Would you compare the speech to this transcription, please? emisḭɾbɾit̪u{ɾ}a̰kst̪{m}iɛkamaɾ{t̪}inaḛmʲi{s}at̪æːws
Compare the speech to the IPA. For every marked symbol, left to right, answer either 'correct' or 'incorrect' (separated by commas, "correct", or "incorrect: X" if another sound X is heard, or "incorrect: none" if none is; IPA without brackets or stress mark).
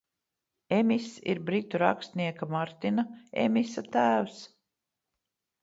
correct, incorrect: n, correct, correct